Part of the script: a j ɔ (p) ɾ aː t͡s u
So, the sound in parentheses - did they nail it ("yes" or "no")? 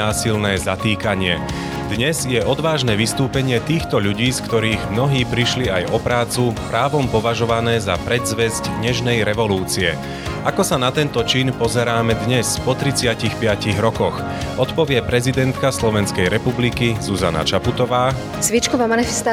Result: yes